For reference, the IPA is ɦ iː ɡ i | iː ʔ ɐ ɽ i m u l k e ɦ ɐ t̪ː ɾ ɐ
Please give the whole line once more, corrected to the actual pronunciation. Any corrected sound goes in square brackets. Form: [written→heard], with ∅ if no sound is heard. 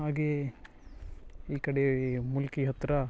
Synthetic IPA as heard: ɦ [iː→aː] ɡ [i→e] | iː [ʔ→k] ɐ ɽ [i→e] m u l k [e→i] ɦ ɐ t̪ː ɾ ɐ

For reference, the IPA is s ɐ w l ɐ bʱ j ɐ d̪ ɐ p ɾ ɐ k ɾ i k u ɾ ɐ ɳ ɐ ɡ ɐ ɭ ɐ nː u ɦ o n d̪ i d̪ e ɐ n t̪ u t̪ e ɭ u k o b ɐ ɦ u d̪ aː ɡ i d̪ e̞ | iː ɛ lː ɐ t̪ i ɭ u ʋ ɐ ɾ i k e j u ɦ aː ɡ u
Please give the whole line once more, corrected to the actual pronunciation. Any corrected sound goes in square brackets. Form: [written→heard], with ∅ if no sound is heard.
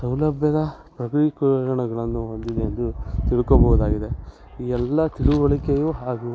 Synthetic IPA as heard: s ɐ w l ɐ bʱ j ɐ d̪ ɐ p ɾ ɐ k ɾ i k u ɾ ɐ ɳ ɐ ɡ ɐ ɭ ɐ nː u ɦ o n d̪ i d̪ e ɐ n [t̪→d̪] u t̪ [e→i] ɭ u k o b ɐ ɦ u d̪ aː ɡ i d̪ e̞ | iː ɛ lː ɐ t̪ i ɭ u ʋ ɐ [ɾ→ɭ] i k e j u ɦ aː ɡ u

